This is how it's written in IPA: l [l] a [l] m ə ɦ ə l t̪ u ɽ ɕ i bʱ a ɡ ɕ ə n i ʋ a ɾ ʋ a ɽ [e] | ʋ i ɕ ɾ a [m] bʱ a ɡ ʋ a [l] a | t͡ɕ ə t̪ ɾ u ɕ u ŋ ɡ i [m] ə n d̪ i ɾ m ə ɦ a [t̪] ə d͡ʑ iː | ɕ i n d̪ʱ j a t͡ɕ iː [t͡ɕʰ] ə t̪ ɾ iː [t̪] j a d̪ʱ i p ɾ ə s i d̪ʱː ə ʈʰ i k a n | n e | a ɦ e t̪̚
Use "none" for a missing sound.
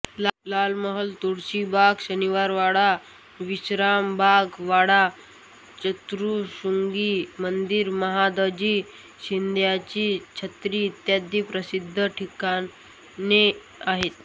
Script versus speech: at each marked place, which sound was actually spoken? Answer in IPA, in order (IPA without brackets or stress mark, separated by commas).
l, l, a, m, ɽ, m, d̪, t͡ɕʰ, t̪